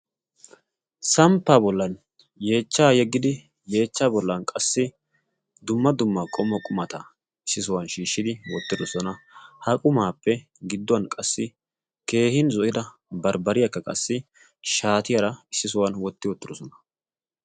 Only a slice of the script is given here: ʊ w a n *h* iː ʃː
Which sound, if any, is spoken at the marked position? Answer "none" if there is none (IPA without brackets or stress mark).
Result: ʃ